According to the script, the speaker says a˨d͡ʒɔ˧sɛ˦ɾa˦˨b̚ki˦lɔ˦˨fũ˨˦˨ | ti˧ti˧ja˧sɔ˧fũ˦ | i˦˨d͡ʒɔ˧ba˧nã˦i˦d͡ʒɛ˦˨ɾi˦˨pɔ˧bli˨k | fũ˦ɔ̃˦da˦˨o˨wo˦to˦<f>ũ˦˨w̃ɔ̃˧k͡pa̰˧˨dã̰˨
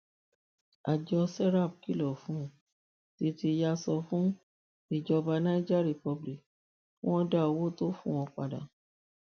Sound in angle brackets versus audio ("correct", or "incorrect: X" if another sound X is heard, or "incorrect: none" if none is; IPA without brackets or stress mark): correct